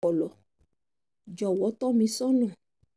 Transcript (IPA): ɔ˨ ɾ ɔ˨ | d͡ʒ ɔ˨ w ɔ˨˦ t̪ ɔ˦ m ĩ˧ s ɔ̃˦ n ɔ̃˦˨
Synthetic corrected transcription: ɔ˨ l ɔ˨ | d͡ʒ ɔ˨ w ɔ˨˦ t̪ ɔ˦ m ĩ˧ s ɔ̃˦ n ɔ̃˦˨

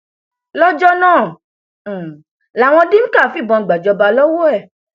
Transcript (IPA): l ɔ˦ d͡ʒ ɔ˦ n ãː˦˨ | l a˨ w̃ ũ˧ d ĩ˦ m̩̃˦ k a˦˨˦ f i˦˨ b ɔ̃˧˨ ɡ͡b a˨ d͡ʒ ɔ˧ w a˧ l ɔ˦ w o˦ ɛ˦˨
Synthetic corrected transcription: l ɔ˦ d͡ʒ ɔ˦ n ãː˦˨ | l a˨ w̃ ɔ̃˧ d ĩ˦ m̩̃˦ k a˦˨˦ f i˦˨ b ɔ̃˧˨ ɡ͡b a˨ d͡ʒ ɔ˧ b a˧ l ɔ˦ w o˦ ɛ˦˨

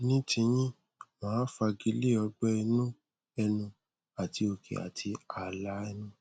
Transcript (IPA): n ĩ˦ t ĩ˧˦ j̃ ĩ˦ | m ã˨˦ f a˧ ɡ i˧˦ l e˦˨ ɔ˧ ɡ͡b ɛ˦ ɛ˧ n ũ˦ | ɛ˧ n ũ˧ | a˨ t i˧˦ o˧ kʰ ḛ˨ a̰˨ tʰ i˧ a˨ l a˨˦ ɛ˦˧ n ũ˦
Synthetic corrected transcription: n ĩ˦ t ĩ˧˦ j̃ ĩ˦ | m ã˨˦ f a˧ ɡ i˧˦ l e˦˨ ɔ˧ ɡ͡b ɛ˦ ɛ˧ n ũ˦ | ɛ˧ n ũ˧ | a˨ t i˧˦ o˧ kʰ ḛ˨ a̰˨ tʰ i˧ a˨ l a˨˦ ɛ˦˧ n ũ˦

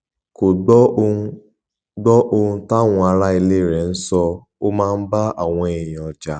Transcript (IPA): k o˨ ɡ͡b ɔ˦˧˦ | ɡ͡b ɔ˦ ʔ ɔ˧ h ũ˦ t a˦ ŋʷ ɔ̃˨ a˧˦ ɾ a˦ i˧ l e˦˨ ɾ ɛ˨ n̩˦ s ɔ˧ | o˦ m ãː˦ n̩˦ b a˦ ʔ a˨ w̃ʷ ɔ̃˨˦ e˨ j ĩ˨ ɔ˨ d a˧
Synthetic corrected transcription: k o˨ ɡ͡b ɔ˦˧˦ | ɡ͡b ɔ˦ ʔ o˧ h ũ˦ t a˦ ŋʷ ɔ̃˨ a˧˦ ɾ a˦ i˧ l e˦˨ ɾ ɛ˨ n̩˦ s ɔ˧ | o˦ m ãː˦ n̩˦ b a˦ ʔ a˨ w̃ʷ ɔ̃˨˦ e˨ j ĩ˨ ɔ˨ d͡ʒ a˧

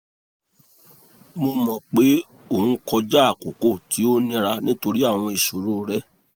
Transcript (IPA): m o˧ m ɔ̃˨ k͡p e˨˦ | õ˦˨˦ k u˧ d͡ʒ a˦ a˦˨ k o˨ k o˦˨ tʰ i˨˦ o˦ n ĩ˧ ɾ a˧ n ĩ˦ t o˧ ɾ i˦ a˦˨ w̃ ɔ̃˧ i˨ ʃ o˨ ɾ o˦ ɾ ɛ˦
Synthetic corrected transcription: m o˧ m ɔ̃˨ k͡p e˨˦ | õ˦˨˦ k ɔ˧ d͡ʒ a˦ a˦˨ k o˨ k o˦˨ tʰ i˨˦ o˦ n ĩ˧ ɾ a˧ n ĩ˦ t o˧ ɾ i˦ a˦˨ w̃ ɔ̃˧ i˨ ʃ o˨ ɾ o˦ ɾ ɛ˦

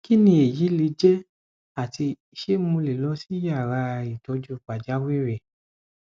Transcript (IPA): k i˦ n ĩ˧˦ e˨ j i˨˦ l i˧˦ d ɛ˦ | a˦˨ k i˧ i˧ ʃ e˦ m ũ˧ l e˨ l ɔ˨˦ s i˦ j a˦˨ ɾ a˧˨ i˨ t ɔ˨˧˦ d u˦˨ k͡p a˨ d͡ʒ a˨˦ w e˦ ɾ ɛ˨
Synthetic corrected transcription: k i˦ n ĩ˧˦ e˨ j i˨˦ l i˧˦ d͡ʒ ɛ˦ | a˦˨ t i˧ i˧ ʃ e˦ m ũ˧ l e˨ l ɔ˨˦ s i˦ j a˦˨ ɾ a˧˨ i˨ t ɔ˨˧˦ d͡ʒ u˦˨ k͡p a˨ d͡ʒ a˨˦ w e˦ ɾ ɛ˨

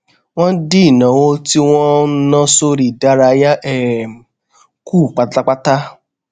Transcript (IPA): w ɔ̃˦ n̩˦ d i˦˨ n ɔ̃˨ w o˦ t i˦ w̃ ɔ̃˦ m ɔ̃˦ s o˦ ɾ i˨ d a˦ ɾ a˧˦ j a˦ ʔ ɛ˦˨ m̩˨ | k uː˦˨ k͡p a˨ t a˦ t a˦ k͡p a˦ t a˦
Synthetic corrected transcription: w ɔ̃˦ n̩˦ d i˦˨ n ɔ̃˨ w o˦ t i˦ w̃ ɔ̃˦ n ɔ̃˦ s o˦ ɾ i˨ d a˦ ɾ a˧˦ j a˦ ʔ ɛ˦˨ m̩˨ | k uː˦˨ k͡p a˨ t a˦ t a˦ k͡p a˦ t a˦

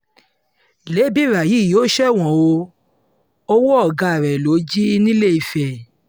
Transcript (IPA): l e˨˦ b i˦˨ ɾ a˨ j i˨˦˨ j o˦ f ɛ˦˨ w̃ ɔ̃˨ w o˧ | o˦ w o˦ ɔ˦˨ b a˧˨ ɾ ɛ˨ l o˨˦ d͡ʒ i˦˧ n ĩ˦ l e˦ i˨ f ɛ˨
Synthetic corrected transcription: l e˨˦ b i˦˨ ɾ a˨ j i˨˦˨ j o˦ ʃ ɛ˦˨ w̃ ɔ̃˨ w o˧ | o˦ w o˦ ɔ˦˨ ɡ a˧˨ ɾ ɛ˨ l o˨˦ d͡ʒ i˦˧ n ĩ˦ l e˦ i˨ f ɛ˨

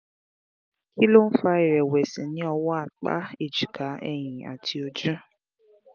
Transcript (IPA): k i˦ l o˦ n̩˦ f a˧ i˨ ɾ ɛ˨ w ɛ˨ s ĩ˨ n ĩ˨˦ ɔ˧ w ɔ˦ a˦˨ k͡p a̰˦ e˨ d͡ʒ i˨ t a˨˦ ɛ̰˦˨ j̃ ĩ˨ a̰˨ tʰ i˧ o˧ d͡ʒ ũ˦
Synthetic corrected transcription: k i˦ l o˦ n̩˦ f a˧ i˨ ɾ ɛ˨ w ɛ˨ s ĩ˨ n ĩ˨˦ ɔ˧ w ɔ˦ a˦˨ k͡p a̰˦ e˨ d͡ʒ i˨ k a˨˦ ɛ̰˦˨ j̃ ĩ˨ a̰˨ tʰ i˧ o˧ d͡ʒ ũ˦

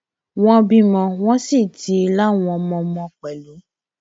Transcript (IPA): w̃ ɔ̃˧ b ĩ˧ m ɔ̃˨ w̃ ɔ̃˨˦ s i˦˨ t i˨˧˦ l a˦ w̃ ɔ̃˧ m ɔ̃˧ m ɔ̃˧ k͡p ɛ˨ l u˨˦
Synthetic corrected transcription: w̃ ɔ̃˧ b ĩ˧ m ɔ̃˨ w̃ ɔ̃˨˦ s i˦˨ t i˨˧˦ l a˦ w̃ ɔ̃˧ m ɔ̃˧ m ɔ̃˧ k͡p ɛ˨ l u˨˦

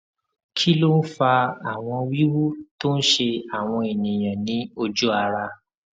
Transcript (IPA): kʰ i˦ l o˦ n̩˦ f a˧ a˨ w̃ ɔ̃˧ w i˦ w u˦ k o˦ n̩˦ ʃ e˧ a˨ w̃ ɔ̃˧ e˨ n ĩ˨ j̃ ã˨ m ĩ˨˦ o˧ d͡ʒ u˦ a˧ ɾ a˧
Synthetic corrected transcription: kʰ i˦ l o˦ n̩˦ f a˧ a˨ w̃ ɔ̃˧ w i˦ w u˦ t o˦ n̩˦ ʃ e˧ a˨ w̃ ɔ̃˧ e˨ n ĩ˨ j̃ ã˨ n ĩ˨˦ o˧ d͡ʒ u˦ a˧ ɾ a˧

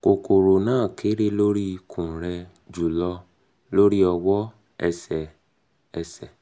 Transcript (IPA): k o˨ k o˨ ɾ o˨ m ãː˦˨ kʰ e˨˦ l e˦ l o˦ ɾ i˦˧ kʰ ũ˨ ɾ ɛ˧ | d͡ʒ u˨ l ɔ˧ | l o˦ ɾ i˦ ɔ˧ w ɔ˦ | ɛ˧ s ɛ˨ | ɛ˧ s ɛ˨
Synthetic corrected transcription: k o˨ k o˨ ɾ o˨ n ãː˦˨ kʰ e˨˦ ɾ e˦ l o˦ ɾ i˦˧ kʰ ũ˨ ɾ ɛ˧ | d͡ʒ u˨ l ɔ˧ | l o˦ ɾ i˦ ɔ˧ w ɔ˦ | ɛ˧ s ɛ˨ | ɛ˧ s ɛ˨

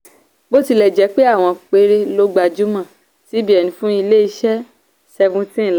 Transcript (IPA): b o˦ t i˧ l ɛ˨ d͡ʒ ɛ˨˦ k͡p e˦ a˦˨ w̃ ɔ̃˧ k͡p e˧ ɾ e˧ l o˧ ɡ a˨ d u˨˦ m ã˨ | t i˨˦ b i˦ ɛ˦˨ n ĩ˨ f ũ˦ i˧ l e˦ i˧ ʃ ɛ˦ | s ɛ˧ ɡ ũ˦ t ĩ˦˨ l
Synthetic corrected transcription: b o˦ t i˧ l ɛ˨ d͡ʒ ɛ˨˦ k͡p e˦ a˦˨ w̃ ɔ̃˧ k͡p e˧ ɾ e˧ l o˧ ɡ͡b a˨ d͡ʒ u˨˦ m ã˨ | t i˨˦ b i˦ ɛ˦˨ n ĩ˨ f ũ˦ i˧ l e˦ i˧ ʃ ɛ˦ | s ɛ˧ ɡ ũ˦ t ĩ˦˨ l

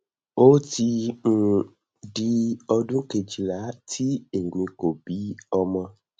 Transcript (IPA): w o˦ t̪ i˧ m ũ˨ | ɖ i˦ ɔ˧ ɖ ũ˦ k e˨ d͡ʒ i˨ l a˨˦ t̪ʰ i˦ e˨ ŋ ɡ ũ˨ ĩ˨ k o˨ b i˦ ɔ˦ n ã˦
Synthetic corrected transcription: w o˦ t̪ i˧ ŋ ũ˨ | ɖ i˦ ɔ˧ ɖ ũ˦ k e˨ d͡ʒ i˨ l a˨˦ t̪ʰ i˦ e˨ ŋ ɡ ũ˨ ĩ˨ k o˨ b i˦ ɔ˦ m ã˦

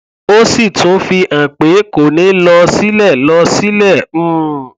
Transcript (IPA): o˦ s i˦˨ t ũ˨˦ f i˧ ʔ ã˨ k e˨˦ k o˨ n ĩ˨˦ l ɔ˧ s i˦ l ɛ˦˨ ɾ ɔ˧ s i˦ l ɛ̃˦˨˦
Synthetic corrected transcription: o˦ s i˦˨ t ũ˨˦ f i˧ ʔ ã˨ k͡p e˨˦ k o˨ n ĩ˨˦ l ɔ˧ s i˦ l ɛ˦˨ l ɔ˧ s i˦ l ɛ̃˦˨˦

